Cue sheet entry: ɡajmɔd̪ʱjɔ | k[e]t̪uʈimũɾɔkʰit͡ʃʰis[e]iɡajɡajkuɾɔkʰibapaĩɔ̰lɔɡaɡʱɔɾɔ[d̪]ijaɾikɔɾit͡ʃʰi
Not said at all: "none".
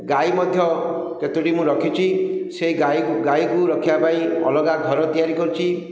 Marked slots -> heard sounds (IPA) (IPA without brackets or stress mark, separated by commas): e, e, t̪